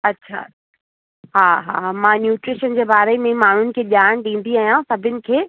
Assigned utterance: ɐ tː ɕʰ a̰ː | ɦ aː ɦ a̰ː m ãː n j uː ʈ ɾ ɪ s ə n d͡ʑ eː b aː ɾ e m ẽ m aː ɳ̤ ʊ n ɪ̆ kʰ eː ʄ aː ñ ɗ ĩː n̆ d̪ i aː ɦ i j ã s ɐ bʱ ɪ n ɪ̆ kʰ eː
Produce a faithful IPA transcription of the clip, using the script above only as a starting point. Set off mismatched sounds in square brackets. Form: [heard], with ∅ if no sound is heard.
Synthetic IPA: ɐ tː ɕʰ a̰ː | ɦ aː ɦ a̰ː m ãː n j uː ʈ ɾ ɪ [ʃ] ə n d͡ʑ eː b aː ɾ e m ẽ m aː ɳ̤ ʊ n ɪ̆ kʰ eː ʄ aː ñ ɗ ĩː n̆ d̪ i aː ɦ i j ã s ɐ bʱ ɪ n ɪ̆ kʰ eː

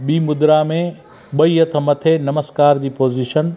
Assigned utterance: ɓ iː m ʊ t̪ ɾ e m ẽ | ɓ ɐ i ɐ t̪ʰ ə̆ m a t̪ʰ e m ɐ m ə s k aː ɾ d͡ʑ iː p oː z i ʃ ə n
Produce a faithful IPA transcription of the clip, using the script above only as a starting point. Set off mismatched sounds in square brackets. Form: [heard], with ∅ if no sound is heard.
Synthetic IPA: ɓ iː m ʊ [d̪] ɾ [a] m ẽ | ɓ ɐ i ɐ t̪ʰ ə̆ m [ɐ] t̪ʰ e [n] ɐ m ə s k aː ɾ d͡ʑ iː p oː z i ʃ ə n

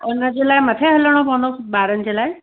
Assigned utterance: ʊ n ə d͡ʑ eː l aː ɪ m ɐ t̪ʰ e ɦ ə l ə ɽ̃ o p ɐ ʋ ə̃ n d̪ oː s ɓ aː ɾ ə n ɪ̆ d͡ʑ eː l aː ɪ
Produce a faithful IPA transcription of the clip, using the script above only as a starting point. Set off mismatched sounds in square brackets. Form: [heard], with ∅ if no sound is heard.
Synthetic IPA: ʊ n ə d͡ʑ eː l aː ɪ m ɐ t̪ʰ e ɦ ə l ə ɽ̃ o p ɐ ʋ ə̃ n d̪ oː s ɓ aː ɾ ə n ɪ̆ d͡ʑ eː l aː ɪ

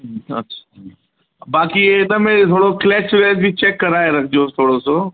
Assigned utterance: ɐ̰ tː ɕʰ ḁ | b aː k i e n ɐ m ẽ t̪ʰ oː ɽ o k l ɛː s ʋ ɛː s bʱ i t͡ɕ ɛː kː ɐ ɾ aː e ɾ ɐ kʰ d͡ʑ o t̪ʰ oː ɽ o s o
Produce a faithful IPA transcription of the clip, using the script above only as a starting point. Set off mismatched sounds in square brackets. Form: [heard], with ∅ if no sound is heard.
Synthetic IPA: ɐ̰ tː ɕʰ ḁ | b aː k i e n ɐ m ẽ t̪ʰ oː ɽ o k l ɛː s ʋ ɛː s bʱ i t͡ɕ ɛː kː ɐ ɾ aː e ɾ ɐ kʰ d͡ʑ o t̪ʰ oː ɽ o s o

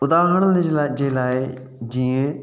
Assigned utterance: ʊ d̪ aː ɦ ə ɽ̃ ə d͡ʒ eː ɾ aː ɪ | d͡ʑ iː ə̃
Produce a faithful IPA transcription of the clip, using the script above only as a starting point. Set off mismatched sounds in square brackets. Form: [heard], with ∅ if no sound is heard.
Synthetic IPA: ʊ d̪ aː ɦ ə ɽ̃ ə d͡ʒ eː [l] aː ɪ | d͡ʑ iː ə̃

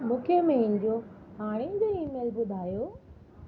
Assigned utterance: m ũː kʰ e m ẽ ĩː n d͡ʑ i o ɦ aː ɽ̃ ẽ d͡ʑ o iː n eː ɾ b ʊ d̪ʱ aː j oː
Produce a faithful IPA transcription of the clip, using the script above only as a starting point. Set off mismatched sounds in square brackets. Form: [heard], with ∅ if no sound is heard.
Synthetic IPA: m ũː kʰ e m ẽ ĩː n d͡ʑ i o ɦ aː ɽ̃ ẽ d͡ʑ o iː [m] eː [l] b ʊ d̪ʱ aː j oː

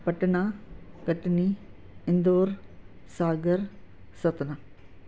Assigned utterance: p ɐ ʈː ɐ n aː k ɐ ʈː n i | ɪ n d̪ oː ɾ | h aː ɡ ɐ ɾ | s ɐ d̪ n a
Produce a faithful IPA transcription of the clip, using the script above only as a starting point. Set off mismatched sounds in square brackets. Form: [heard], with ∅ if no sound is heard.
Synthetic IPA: p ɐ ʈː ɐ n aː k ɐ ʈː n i | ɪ n d̪ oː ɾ | [s] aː ɡ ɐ ɾ | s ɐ [t̪] n a

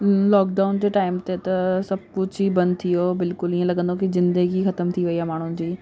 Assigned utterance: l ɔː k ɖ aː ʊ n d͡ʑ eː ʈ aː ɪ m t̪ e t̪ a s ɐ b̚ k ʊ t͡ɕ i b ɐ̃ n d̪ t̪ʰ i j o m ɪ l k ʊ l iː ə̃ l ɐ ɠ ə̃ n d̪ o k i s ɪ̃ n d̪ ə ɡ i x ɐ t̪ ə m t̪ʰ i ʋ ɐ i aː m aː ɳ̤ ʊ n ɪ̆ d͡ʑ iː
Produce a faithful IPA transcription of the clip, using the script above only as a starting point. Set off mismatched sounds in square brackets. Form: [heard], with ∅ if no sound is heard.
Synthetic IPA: l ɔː k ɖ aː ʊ n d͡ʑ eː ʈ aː ɪ m t̪ e t̪ [ɐ] s ɐ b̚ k ʊ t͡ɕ i b ɐ̃ n d̪ t̪ʰ i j o [b] ɪ l k ʊ l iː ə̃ l ɐ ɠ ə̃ n d̪ o k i [z] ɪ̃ n d̪ ə ɡ i x ɐ t̪ ə m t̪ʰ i ʋ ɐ i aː m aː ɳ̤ ʊ n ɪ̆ d͡ʑ iː

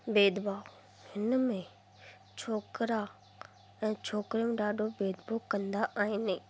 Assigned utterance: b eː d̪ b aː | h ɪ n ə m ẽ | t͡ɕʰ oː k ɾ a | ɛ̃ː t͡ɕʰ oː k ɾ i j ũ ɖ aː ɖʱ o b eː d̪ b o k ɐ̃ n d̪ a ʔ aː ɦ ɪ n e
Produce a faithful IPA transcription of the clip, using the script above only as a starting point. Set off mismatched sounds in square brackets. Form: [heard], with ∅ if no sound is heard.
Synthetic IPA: b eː d̪ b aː | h ɪ n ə m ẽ | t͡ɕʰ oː k ɾ a | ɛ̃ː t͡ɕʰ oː k ɾ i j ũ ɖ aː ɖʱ o b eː d̪ b o k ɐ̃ n d̪ a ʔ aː ɦ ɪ n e

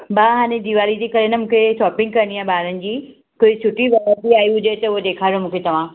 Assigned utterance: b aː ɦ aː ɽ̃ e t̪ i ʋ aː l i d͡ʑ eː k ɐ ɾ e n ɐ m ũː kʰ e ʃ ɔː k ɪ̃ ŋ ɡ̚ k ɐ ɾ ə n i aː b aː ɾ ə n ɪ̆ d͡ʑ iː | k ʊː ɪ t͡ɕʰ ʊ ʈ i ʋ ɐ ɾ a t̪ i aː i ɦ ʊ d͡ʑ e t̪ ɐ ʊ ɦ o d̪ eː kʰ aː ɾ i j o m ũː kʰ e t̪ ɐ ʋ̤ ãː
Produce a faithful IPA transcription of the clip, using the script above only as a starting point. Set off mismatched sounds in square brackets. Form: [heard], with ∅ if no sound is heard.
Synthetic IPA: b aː ɦ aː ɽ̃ e [d̪] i ʋ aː l i d͡ʑ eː k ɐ ɾ e n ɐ m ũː kʰ e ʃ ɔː [p] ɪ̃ ŋ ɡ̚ k ɐ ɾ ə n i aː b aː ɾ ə n ɪ̆ d͡ʑ iː | k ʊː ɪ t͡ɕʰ ʊ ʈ i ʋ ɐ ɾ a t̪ i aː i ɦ ʊ d͡ʑ e t̪ ɐ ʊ ɦ o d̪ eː kʰ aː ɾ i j o m ũː kʰ e t̪ ɐ ʋ̤ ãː

